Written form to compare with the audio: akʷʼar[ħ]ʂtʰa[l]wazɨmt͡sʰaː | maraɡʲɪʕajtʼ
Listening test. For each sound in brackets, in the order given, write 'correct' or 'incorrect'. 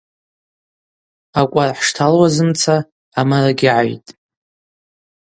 correct, correct

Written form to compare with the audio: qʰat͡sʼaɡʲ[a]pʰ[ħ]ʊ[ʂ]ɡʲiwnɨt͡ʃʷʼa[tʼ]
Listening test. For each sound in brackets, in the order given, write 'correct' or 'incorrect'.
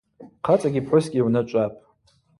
incorrect: i, correct, incorrect: s, incorrect: pʼ

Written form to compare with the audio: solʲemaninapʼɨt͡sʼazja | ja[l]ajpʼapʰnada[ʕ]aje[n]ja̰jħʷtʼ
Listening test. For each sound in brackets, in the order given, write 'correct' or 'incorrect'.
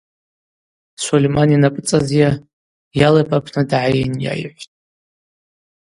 correct, correct, correct

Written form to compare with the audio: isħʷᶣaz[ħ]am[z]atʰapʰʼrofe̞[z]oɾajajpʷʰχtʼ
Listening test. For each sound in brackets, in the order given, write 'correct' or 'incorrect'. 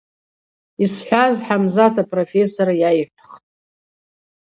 correct, correct, incorrect: s

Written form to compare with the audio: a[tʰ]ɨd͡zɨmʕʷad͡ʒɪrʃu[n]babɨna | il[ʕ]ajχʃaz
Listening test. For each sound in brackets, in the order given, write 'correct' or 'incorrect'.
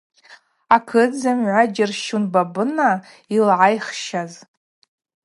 incorrect: kʰ, correct, correct

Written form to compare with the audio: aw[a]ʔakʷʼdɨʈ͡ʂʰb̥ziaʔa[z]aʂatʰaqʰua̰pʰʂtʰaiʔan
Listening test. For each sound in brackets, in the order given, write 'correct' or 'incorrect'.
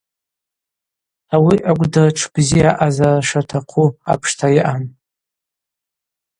incorrect: i, correct

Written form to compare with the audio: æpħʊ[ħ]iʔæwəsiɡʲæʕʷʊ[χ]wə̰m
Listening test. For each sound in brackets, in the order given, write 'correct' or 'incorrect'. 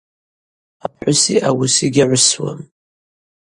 incorrect: s, incorrect: s

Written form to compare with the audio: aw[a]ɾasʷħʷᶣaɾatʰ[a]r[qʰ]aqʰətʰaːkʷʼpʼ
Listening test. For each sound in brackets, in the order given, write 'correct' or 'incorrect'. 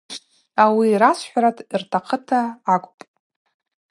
incorrect: i, incorrect: i, incorrect: tʰ

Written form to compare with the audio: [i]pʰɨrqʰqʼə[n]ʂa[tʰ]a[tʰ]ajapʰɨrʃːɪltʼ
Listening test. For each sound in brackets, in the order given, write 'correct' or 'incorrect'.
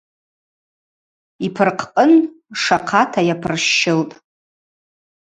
correct, correct, incorrect: qʰ, correct

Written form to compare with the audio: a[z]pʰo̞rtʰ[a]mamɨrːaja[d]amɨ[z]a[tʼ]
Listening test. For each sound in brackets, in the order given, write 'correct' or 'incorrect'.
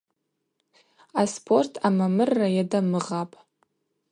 incorrect: s, correct, correct, incorrect: ʁ, incorrect: pʼ

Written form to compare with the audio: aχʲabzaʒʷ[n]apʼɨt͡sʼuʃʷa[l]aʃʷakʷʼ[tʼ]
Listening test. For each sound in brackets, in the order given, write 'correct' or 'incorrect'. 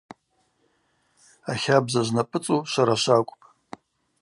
correct, incorrect: ɾ, incorrect: pʼ

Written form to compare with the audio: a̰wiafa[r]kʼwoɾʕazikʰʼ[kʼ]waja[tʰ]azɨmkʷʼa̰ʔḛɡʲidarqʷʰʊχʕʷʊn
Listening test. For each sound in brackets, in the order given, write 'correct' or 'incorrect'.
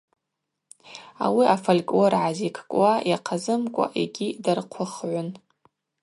incorrect: l, correct, incorrect: qʰ

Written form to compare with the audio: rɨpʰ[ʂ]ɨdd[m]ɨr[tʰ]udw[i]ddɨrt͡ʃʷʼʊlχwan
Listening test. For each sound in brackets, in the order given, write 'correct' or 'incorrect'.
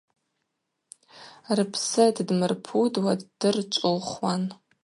incorrect: s, correct, incorrect: pʰ, incorrect: a

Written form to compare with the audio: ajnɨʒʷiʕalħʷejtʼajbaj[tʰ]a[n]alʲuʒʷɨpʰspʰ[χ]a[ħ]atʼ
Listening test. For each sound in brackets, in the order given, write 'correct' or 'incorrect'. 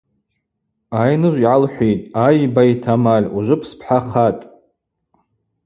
correct, incorrect: m, incorrect: ħ, incorrect: χ

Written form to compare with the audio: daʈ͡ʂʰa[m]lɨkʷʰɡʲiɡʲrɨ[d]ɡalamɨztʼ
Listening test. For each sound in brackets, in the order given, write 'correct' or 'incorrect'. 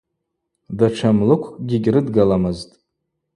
correct, correct

